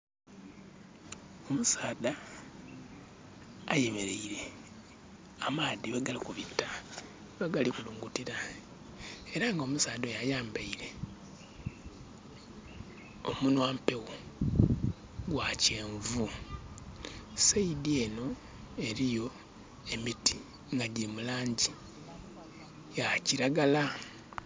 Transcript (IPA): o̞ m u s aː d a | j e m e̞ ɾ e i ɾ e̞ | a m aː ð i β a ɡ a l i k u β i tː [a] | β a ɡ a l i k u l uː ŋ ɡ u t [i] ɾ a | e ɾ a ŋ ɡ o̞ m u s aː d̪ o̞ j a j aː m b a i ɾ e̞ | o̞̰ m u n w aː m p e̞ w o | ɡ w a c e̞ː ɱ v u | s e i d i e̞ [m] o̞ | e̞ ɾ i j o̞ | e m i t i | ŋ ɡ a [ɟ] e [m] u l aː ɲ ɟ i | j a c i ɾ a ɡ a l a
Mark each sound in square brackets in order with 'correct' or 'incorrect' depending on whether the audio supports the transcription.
correct, correct, incorrect, correct, correct

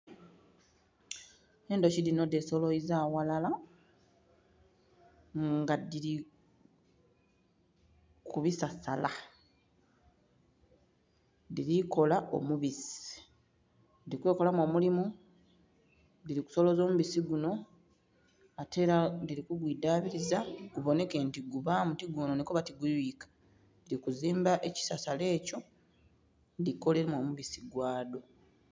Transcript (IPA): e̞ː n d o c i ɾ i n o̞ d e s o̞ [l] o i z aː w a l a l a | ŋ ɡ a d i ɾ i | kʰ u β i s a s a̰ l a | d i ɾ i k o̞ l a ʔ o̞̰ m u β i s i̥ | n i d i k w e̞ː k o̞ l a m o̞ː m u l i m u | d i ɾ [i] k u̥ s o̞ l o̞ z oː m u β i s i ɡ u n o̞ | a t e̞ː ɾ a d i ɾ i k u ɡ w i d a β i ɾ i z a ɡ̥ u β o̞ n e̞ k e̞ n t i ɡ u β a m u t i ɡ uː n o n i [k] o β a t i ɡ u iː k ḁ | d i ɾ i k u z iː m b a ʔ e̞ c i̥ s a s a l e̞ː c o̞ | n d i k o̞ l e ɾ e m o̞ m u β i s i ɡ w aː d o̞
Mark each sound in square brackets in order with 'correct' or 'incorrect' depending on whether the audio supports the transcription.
correct, correct, correct

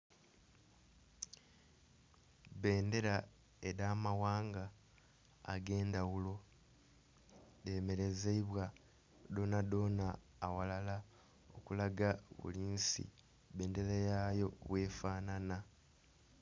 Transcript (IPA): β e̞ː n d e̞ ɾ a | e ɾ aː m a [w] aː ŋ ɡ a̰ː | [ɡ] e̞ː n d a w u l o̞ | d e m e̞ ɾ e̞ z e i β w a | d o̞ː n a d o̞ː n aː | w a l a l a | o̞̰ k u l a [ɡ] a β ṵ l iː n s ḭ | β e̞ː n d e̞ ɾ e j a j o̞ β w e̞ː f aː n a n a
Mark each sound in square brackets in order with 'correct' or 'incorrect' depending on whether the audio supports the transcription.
correct, correct, correct

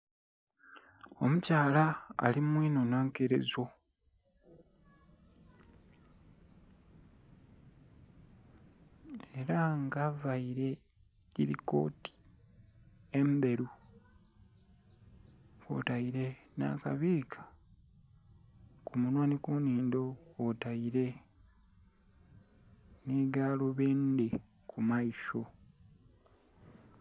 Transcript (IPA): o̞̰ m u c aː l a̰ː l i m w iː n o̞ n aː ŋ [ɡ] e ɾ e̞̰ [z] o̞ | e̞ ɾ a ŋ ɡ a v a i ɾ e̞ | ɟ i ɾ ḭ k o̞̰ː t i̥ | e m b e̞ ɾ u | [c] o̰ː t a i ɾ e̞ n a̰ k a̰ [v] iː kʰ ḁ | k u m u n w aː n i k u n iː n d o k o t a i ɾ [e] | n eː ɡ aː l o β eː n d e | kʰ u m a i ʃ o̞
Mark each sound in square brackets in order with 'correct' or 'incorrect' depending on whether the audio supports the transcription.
incorrect, correct, incorrect, incorrect, correct

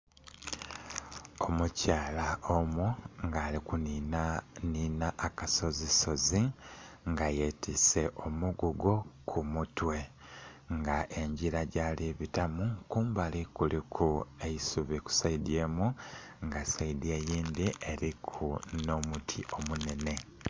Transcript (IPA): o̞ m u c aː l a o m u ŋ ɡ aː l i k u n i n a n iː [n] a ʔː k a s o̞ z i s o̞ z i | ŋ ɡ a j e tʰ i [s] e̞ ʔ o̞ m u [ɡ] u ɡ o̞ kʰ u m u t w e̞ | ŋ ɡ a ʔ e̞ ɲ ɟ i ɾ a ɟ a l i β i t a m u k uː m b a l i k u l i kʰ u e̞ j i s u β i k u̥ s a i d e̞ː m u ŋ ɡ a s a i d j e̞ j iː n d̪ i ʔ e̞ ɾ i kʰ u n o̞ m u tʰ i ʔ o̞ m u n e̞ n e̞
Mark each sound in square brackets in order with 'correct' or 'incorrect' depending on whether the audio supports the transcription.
correct, correct, correct

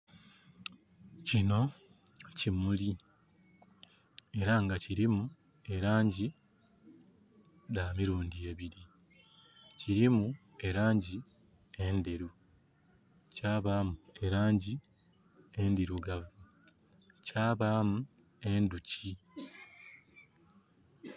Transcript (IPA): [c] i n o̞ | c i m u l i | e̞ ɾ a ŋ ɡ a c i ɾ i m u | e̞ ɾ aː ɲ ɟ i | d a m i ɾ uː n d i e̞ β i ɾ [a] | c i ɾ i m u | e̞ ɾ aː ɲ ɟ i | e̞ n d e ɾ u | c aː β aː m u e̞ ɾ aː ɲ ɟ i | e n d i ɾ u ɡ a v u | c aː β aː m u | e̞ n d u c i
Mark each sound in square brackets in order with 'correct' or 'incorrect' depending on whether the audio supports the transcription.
correct, incorrect

